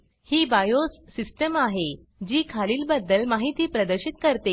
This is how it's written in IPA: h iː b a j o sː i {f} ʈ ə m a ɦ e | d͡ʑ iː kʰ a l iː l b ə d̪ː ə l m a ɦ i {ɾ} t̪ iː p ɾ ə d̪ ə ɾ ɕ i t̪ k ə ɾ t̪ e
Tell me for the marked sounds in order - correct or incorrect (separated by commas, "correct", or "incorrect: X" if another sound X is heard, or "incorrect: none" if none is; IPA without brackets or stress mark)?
incorrect: s, incorrect: none